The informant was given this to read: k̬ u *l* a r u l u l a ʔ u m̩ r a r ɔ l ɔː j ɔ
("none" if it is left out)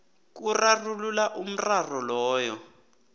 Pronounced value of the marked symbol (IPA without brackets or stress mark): r